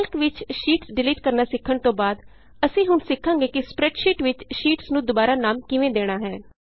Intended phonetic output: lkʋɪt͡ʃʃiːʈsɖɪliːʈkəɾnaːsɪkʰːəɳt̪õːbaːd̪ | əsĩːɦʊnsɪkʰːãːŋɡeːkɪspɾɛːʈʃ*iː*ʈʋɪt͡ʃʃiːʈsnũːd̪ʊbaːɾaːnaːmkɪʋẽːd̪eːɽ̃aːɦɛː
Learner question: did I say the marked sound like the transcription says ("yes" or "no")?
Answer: yes